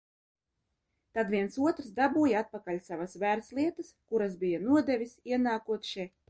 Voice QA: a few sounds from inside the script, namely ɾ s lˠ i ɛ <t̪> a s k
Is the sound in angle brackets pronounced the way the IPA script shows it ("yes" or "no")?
yes